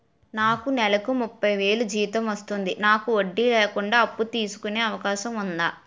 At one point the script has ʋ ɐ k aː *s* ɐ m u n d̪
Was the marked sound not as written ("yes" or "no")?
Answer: yes